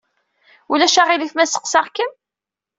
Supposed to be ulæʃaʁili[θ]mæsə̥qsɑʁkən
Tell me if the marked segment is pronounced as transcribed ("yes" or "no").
yes